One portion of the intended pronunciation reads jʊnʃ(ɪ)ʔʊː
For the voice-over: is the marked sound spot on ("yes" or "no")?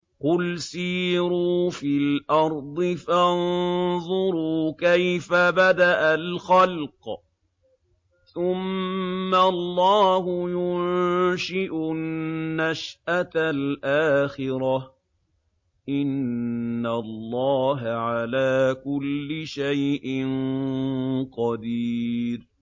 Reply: yes